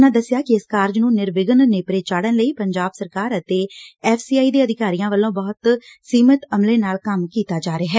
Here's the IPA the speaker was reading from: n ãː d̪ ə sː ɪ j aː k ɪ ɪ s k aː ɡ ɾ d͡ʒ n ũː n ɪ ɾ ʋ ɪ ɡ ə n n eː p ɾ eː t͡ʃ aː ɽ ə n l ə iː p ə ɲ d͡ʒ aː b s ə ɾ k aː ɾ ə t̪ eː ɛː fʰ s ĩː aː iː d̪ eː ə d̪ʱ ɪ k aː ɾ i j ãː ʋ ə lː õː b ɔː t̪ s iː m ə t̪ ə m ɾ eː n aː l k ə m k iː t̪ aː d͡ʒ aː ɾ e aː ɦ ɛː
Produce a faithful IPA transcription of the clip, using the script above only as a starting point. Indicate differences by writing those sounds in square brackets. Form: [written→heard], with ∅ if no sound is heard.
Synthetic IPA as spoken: n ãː d̪ ə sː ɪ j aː k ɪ ɪ s k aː [ɡ→∅] ɾ d͡ʒ n ũː n ɪ ɾ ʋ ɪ ɡ ə n n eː p ɾ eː t͡ʃ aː ɽ ə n l ə iː p ə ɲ d͡ʒ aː b s ə ɾ k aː ɾ ə t̪ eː ɛː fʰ s [ĩː→iː] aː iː d̪ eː ə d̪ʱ ɪ k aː ɾ i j ãː ʋ ə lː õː b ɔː t̪ s iː m ə t̪ ə m [ɾ→l] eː n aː l k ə m k iː t̪ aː d͡ʒ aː ɾ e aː ɦ ɛː

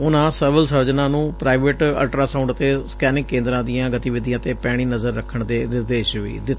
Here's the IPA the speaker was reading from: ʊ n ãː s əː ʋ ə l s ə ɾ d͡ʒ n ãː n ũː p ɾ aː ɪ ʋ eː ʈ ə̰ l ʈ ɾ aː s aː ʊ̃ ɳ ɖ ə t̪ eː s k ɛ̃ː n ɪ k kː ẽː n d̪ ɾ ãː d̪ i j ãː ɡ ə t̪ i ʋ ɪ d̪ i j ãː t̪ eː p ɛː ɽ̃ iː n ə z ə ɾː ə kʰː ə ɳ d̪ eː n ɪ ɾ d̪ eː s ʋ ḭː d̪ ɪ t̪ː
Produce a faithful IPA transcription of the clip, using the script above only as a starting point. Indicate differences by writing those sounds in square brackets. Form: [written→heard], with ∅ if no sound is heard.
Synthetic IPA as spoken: ʊ n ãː s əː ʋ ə l s ə ɾ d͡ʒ n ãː n ũː p ɾ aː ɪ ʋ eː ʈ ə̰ l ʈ ɾ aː s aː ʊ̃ ɳ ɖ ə t̪ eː s k [ɛ̃ː→ɛː] n ɪ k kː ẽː n d̪ ɾ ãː d̪ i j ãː ɡ ə t̪ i ʋ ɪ d̪ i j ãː t̪ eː p ɛː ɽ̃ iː n ə z ə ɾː ə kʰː ə ɳ d̪ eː n ɪ ɾ d̪ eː [s→ʃ] ʋ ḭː d̪ ɪ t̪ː

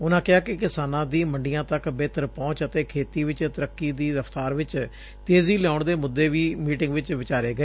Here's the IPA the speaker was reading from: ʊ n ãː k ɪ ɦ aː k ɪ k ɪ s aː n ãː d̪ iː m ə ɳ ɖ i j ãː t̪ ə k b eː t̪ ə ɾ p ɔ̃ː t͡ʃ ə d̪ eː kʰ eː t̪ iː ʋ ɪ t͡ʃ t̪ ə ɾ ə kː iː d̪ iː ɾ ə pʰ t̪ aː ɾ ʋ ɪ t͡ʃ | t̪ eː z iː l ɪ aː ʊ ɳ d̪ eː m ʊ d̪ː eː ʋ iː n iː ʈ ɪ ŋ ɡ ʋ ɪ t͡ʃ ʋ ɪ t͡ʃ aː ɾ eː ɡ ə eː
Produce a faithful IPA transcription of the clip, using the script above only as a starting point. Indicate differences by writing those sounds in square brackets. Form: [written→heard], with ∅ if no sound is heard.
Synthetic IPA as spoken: ʊ n ãː k ɪ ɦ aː k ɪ k ɪ s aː n ãː d̪ iː m ə ɳ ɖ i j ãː t̪ ə k b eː t̪ ə ɾ p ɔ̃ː t͡ʃ ə [d̪→t̪] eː kʰ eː t̪ iː ʋ ɪ t͡ʃ t̪ ə ɾ ə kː iː d̪ iː ɾ ə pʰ t̪ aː ɾ ʋ ɪ t͡ʃ | t̪ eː z iː l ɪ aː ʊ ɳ d̪ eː m ʊ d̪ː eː ʋ iː [n→m] iː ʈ ɪ ŋ ɡ ʋ ɪ t͡ʃ ʋ ɪ t͡ʃ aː ɾ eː ɡ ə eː

